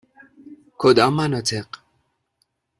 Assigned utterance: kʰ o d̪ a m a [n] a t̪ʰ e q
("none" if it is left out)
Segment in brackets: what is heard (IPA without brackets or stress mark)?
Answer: n